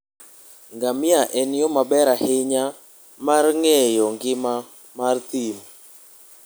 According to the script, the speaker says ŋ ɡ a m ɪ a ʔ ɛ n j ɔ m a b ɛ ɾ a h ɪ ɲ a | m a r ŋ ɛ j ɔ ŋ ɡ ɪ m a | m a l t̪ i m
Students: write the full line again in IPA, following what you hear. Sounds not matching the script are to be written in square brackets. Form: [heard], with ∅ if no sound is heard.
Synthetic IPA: ŋ ɡ a m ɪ a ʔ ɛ n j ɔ m a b ɛ ɾ a h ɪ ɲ a | m a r ŋ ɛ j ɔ ŋ ɡ ɪ m a | m a [r] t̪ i m